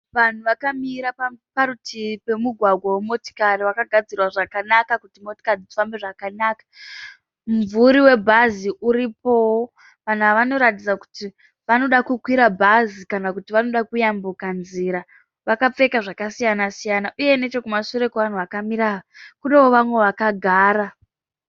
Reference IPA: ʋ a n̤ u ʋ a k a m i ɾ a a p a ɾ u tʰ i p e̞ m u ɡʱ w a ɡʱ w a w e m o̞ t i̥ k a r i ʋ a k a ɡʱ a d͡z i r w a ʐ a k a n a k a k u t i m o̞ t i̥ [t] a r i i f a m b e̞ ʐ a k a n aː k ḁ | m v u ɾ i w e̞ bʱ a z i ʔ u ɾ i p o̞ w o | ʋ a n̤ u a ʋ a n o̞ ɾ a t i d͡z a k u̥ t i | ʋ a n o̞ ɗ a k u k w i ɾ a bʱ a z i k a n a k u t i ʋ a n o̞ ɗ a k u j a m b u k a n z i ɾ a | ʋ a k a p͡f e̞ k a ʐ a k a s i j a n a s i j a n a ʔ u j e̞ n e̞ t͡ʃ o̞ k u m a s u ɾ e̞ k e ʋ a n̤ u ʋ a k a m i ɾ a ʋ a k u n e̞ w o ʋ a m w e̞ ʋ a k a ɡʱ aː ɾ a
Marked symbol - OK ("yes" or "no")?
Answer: no